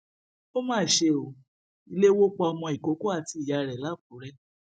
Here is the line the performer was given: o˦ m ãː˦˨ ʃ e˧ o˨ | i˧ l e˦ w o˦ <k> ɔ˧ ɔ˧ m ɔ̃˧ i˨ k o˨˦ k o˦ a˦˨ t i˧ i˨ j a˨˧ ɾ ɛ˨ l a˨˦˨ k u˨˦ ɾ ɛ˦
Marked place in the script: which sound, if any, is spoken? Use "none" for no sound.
k͡p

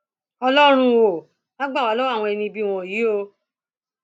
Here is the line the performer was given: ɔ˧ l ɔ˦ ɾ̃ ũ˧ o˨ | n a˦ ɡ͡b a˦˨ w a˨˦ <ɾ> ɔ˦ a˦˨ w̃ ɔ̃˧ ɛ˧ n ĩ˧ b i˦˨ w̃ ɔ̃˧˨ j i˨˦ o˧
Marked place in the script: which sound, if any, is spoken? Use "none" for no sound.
l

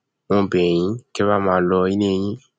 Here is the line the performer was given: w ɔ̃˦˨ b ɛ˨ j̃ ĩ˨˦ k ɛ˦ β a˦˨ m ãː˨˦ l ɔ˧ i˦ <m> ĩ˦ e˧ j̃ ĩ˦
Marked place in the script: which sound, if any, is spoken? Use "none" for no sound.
n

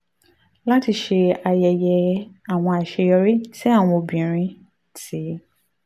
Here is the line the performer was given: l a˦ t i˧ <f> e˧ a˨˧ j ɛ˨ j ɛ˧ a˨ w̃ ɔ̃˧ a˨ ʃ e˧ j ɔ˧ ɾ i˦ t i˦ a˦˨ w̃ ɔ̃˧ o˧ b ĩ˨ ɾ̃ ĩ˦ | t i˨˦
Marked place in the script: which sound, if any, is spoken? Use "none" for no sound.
ʃ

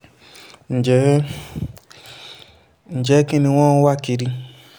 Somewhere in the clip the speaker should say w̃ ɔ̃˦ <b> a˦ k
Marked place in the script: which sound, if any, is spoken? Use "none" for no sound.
w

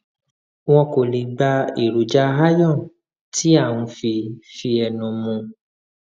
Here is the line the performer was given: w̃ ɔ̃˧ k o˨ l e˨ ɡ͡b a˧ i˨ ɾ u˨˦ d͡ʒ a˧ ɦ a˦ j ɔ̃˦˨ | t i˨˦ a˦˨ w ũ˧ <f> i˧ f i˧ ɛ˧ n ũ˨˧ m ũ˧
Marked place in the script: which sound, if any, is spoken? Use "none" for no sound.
f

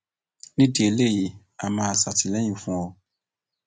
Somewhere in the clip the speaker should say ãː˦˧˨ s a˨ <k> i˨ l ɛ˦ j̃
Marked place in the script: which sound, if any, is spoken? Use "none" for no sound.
t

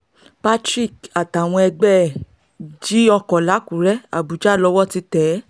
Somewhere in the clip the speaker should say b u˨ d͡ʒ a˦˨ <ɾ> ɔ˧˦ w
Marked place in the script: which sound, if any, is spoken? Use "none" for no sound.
l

